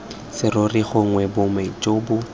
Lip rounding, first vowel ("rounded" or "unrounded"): unrounded